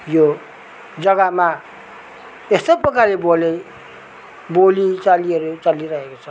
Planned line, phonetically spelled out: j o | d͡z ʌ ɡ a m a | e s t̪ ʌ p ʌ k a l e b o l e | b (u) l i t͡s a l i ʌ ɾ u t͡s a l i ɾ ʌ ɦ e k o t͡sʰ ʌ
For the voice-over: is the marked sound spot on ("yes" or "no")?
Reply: no